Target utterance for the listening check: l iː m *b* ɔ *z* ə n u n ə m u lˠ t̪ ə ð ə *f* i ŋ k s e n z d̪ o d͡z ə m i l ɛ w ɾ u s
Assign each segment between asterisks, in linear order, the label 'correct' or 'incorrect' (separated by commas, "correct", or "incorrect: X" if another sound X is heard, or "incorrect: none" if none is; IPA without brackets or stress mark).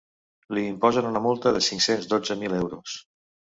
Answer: incorrect: p, correct, incorrect: s